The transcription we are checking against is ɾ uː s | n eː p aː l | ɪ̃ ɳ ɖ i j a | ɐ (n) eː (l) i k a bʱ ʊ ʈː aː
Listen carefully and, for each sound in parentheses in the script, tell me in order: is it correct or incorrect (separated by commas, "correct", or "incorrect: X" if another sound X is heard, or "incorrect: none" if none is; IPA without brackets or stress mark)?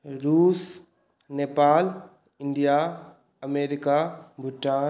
incorrect: m, incorrect: ɾ